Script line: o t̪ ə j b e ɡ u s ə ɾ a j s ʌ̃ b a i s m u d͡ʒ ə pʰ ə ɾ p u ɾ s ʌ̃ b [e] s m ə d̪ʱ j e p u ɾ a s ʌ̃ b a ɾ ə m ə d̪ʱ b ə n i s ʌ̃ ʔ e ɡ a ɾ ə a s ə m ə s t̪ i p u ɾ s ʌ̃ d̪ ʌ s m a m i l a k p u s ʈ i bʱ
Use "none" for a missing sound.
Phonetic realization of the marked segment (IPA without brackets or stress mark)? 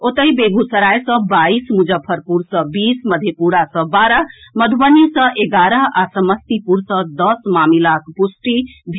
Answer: i